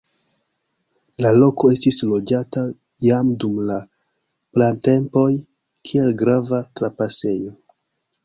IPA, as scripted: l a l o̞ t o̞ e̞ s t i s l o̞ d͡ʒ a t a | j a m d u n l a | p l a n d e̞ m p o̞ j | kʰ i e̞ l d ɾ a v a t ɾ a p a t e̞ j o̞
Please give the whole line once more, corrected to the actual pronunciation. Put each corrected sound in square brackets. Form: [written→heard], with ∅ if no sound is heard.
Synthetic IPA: l a l o̞ [t→k] o̞ e̞ s t i s l o̞ d͡ʒ a t a | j a m d u [n→m] l a | p l a n [d→t] e̞ m p o̞ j | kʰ i e̞ l [d→ɡ] ɾ a v a t ɾ a p a [t→s] e̞ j o̞